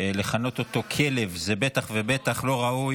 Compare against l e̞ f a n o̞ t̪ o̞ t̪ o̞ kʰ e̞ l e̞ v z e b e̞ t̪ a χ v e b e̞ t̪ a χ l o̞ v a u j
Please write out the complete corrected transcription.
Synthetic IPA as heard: l e̞ χ a n o̞ t̪ o̞ t̪ o̞ kʰ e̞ l e̞ v z e b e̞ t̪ a χ v e b e̞ t̪ a χ l o̞ ʁ a u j